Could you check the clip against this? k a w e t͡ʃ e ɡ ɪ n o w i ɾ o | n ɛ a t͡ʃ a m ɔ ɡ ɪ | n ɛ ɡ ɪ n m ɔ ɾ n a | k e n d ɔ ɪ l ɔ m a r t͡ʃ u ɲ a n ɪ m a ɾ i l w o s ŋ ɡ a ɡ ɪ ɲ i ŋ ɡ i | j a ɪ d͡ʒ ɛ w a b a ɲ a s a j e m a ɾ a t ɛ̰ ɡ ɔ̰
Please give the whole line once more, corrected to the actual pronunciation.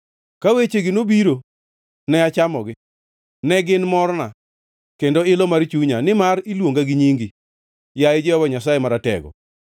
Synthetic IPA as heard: k a w e t͡ʃ e ɡ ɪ n o b i ɾ o | n ɛ a t͡ʃ a m ɔ ɡ ɪ | n ɛ ɡ ɪ n m ɔ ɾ n a | k e n d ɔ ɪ l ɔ m a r t͡ʃ u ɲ a n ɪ m a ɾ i l w o ŋ ɡ a ɡ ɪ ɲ i ŋ ɡ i | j a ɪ d͡ʒ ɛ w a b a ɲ a s a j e m a ɾ a t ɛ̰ ɡ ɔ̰